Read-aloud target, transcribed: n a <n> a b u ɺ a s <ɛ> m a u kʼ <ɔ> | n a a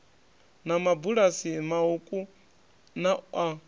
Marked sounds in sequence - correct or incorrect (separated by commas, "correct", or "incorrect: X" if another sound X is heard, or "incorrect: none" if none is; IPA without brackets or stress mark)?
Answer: incorrect: m, incorrect: i, incorrect: u